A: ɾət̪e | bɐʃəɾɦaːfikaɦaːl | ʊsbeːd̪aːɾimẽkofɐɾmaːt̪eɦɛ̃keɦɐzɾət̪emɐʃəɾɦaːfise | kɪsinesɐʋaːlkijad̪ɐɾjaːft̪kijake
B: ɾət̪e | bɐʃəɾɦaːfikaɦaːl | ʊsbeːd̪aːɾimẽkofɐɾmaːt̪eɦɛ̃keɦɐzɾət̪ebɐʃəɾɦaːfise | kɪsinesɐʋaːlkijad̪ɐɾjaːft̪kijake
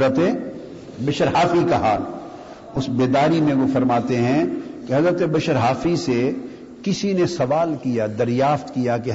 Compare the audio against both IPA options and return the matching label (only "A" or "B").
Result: B